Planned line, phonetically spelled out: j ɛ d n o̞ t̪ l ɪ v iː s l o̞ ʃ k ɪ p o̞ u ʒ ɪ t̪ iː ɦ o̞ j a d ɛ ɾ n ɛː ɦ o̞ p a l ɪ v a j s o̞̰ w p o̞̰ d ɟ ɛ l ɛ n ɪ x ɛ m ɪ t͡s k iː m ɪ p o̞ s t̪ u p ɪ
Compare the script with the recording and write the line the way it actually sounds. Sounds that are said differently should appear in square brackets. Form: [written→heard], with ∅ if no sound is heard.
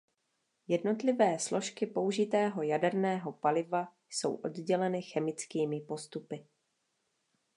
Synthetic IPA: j ɛ d n o̞ t̪ l ɪ v [iː→ɛː] s l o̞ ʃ k ɪ p o̞ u ʒ ɪ t̪ [iː→ɛː] ɦ o̞ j a d ɛ ɾ n ɛː ɦ o̞ p a l ɪ v a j s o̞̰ w [p→ʔ] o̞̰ d ɟ ɛ l ɛ n ɪ x ɛ m ɪ t͡s k iː m ɪ p o̞ s t̪ u p ɪ

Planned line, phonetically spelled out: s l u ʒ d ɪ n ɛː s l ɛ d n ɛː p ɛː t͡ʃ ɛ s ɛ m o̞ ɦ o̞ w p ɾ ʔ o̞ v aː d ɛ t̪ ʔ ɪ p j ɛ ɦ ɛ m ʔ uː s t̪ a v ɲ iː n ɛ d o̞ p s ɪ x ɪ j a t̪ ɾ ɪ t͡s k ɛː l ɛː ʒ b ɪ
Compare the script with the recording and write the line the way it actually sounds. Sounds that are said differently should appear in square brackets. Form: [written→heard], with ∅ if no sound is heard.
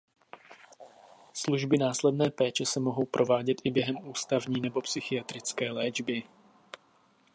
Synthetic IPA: s l u ʒ [d→b] ɪ n [ɛː→aː] s l ɛ d n ɛː p ɛː t͡ʃ ɛ s ɛ m o̞ ɦ o̞ w p ɾ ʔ o̞ v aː [d→ɟ] ɛ t̪ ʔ ɪ [p→b] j ɛ ɦ ɛ m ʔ uː s t̪ a v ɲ iː n ɛ [d→b] o̞ p s ɪ x ɪ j a t̪ ɾ ɪ t͡s k ɛː l ɛː [ʒ→d͡ʒ] b ɪ

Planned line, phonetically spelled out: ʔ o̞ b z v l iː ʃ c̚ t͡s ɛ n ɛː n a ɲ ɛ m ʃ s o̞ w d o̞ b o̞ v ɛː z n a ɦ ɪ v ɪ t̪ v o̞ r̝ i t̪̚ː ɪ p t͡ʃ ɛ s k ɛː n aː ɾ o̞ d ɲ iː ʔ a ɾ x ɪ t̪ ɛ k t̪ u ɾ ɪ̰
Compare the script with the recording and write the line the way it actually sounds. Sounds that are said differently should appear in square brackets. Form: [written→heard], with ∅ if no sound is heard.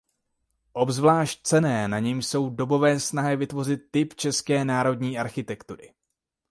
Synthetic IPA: ʔ o̞ b z v l [iː→aː] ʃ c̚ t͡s ɛ n ɛː n a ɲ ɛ m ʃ s o̞ w d o̞ b o̞ v ɛː [z→s] n a ɦ ɪ v ɪ t̪ v o̞ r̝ [i→ɪ] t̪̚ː ɪ p t͡ʃ ɛ s k ɛː n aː ɾ o̞ d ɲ iː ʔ a ɾ x ɪ t̪ ɛ k t̪ u ɾ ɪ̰

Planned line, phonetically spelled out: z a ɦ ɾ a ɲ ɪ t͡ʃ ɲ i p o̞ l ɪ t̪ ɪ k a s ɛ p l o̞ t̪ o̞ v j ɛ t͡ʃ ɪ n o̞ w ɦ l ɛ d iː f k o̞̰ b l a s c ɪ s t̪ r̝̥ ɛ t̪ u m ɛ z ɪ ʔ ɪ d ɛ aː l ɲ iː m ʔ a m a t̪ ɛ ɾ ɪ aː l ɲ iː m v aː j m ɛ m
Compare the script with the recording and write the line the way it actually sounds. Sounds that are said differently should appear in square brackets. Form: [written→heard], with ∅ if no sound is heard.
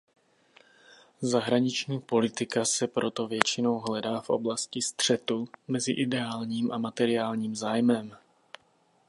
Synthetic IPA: z a ɦ ɾ a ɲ ɪ t͡ʃ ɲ [i→iː] p o̞ l ɪ t̪ ɪ k a s ɛ p [l→ɾ] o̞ t̪ o̞ v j ɛ t͡ʃ ɪ n o̞ w ɦ l ɛ d [iː→aː] f [k→ʔ] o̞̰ b l a s c ɪ s t̪ r̝̥ ɛ t̪ u m ɛ z ɪ ʔ ɪ d ɛ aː l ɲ iː m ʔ a m a t̪ ɛ ɾ ɪ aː l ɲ iː m [v→z] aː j m ɛ m

